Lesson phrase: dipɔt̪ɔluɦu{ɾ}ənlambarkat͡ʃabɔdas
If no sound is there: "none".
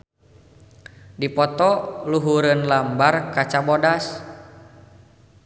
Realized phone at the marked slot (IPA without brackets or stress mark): ɾ